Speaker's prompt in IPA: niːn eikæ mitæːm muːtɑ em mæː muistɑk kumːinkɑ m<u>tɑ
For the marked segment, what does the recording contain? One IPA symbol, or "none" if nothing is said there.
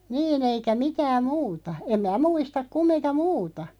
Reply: uː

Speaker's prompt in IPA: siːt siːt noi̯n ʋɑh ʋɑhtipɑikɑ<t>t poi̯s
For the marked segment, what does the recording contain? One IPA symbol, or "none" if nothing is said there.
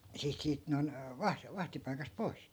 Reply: s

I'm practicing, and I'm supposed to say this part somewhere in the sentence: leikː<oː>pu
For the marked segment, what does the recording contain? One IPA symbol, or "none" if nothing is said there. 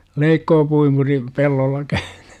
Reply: oː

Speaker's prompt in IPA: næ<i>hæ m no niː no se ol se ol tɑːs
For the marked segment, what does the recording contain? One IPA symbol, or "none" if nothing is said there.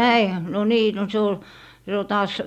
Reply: i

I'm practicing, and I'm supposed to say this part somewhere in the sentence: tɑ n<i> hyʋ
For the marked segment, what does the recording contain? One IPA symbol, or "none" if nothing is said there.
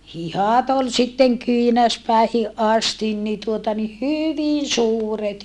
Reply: i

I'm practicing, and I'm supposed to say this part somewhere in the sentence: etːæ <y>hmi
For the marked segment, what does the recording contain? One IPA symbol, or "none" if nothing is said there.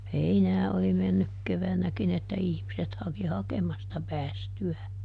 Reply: i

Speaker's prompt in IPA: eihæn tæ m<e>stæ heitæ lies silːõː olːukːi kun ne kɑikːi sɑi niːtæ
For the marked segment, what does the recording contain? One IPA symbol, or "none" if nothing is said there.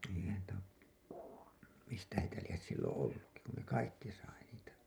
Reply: i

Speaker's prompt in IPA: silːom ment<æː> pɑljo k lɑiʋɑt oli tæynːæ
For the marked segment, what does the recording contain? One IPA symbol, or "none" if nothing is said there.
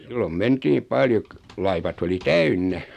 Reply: iː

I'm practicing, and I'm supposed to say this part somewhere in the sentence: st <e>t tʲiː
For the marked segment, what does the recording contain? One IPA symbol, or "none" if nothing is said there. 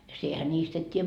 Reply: e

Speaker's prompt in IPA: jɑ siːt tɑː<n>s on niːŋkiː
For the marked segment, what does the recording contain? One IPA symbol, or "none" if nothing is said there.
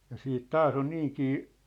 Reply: none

